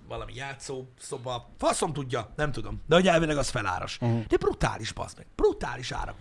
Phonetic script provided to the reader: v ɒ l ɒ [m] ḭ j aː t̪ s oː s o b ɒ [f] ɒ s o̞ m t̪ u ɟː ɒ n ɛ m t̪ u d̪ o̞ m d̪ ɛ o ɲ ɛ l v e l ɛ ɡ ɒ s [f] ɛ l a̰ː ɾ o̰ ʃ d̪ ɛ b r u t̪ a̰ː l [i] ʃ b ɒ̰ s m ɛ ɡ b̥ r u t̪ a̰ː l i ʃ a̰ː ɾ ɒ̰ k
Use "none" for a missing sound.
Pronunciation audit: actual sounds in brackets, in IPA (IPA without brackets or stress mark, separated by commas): m, f, f, i